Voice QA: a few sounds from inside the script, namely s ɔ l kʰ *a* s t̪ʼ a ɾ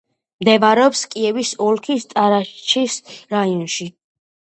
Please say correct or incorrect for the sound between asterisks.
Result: incorrect